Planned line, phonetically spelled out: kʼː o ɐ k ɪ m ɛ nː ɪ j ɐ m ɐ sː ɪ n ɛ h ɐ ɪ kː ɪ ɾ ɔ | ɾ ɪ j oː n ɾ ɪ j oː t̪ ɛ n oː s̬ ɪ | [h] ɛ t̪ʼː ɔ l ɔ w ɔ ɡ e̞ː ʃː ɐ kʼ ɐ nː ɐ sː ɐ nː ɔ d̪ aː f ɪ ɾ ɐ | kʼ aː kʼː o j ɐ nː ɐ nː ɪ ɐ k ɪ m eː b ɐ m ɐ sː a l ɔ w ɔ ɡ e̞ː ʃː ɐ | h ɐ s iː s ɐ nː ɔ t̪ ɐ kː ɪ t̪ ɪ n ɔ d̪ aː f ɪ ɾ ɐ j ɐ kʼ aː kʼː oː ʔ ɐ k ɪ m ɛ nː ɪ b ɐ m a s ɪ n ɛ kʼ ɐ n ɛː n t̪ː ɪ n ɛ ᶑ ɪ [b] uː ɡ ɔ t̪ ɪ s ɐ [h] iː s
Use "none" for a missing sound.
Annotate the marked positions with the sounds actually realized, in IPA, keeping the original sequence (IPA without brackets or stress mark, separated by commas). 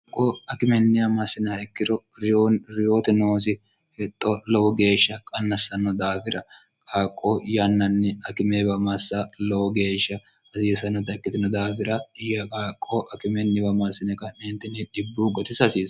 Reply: h, bː, s